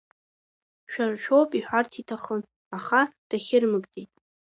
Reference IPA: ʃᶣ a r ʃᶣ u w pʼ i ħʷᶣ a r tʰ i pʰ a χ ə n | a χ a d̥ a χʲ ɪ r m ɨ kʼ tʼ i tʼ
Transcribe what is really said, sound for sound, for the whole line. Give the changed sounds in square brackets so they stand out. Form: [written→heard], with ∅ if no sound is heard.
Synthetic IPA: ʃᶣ a r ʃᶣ [u→o] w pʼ i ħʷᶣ a r tʰ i [pʰ→tʰ] a χ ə n | a χ a d̥ a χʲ ɪ r m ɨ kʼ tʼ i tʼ